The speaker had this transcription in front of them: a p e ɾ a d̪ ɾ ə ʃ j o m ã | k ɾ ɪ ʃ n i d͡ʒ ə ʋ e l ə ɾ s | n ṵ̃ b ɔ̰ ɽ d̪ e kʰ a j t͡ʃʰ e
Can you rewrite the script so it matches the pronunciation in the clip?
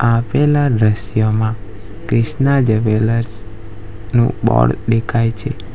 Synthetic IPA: a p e l a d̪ ɾ ə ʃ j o m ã | k ɾ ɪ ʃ n a d͡ʒ ə ʋ e l ə ɾ s | n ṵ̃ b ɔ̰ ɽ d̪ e kʰ a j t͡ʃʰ e